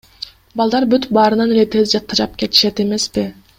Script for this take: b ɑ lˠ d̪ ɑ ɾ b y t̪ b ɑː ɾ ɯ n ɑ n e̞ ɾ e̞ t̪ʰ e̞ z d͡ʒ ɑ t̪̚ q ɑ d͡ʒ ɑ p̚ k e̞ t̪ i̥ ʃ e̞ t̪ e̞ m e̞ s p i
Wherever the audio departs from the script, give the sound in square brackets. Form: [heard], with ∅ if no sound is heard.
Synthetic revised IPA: b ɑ lˠ d̪ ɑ ɾ b y t̪ b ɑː ɾ ɯ n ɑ n e̞ [l] e̞ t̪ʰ e̞ z d͡ʒ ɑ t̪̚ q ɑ d͡ʒ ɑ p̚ k e̞ t̪ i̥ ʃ e̞ t̪ e̞ m e̞ s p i